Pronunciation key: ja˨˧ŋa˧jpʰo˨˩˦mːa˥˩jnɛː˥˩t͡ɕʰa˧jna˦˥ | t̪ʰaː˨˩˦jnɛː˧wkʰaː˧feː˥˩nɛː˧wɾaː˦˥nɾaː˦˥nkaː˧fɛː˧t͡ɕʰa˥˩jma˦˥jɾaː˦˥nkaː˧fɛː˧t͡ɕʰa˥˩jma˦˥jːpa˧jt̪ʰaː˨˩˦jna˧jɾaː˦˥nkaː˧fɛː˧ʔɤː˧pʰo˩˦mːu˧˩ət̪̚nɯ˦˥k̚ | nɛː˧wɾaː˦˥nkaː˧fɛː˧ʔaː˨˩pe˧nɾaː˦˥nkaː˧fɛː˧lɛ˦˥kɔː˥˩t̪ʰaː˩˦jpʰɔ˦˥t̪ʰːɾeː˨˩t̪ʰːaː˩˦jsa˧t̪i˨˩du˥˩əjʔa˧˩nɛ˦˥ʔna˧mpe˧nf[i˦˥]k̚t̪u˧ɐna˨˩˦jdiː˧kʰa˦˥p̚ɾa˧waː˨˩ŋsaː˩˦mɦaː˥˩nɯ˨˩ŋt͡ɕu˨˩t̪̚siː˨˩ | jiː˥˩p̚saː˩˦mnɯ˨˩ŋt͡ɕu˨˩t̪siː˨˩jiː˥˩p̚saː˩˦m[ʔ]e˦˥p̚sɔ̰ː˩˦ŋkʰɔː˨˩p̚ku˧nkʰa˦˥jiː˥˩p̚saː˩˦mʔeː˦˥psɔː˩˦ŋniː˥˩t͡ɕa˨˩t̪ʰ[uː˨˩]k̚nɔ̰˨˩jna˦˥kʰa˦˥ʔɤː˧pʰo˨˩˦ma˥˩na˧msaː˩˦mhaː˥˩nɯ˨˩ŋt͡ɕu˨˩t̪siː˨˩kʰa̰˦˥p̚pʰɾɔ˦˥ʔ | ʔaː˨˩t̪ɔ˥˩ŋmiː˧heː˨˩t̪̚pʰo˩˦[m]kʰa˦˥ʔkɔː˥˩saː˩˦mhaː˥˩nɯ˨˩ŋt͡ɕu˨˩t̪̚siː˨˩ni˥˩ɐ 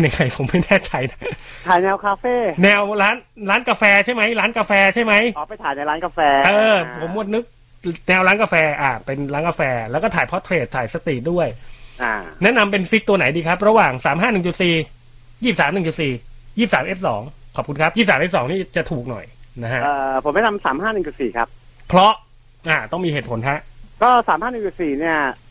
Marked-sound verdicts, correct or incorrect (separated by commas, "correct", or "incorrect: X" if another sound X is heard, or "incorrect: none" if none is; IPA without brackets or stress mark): correct, correct, correct, incorrect: n